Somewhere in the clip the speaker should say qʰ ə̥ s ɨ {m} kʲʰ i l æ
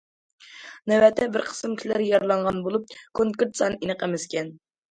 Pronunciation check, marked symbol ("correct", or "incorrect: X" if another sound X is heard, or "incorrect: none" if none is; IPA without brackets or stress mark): correct